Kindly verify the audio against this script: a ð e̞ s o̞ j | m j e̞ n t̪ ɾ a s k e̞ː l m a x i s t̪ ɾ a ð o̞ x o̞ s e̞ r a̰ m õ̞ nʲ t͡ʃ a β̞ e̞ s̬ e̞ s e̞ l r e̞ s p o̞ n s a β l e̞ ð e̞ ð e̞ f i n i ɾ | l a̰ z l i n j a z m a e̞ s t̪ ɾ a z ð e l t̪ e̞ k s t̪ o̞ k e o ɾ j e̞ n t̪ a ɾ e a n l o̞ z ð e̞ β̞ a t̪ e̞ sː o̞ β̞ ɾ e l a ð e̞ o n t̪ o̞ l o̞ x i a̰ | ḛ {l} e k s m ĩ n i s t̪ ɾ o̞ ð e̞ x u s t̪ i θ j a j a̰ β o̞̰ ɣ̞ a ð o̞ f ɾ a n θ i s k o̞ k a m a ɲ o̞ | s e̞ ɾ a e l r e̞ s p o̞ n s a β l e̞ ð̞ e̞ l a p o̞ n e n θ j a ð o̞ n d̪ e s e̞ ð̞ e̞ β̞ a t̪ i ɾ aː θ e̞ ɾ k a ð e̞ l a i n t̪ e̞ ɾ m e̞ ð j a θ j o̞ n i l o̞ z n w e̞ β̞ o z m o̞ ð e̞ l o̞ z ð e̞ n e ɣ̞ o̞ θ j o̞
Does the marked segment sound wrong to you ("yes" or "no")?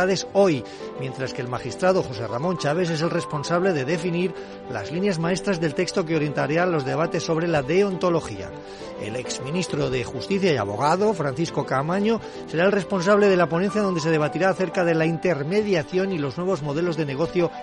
no